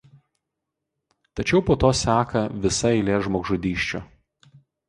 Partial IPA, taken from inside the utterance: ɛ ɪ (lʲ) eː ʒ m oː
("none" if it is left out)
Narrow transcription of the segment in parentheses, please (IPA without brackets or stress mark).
lʲ